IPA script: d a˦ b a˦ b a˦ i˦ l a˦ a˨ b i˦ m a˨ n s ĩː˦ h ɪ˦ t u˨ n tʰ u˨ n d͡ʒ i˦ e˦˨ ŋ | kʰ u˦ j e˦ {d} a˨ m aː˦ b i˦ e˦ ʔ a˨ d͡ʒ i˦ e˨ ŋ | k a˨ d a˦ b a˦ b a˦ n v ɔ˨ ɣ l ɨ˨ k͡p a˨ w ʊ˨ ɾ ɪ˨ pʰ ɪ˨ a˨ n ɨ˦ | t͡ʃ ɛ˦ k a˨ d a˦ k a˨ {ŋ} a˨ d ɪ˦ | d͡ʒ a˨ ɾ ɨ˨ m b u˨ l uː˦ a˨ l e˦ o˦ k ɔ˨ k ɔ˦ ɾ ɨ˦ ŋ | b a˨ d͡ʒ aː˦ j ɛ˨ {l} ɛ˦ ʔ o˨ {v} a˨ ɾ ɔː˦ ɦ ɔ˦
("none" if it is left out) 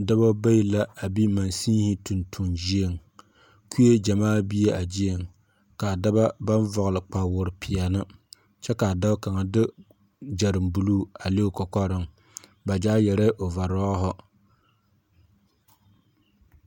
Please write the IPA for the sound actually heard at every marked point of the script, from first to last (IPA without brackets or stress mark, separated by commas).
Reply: d͡ʒ, ŋ, ɾ, v